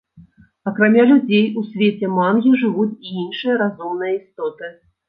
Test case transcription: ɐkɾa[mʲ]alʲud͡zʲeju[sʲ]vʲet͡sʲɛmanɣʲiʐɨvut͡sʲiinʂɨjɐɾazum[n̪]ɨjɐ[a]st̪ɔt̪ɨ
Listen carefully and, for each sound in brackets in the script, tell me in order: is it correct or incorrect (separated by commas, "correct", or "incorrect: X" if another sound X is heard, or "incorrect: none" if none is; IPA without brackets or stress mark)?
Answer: correct, correct, correct, incorrect: i